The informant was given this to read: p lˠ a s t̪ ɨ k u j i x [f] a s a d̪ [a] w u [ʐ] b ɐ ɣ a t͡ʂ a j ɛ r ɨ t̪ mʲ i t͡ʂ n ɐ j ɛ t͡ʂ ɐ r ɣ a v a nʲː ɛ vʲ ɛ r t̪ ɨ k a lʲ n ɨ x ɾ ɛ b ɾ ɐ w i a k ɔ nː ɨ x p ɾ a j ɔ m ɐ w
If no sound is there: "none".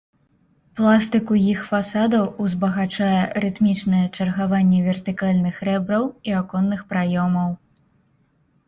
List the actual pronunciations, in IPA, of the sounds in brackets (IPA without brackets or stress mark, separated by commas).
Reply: f, ɐ, z